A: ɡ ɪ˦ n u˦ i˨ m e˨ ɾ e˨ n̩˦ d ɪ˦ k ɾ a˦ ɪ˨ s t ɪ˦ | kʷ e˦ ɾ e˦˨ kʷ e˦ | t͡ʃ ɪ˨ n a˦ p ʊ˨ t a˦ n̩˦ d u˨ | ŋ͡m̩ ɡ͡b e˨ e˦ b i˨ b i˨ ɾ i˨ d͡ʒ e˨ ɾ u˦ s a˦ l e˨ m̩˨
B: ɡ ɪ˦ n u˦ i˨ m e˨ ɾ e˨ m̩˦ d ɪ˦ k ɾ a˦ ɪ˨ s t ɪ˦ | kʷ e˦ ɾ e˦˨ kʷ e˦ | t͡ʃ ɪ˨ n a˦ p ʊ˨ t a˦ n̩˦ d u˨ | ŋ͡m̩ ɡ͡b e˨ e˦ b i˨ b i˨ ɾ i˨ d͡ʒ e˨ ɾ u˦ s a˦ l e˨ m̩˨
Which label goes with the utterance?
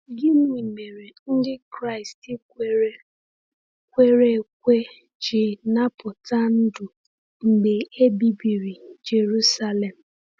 A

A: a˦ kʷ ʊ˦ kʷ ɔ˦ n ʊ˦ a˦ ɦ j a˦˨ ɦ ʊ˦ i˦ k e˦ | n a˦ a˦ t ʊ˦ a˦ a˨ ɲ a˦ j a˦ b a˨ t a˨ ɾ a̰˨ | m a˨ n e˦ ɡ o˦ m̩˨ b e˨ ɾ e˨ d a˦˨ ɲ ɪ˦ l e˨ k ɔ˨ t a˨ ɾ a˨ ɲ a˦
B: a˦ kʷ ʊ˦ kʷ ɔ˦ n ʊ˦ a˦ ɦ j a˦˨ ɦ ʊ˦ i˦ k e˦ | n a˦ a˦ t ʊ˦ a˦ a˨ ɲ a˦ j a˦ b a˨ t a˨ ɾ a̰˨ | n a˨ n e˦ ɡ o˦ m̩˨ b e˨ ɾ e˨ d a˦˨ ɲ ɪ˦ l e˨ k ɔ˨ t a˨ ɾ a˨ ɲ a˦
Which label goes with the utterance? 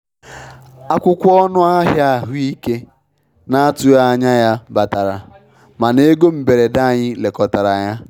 A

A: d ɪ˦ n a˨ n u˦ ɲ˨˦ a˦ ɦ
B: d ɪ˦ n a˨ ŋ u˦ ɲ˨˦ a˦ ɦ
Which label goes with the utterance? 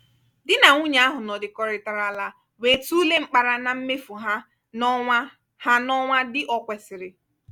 B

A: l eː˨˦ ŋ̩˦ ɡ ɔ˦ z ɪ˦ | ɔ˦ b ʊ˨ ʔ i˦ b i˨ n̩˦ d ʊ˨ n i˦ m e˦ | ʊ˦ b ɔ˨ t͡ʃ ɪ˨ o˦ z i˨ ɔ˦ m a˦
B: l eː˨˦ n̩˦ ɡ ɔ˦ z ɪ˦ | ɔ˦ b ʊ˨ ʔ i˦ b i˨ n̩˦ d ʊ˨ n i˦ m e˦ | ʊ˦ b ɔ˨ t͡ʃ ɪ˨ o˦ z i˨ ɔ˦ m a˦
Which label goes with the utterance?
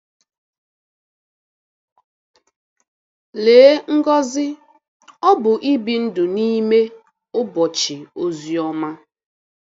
A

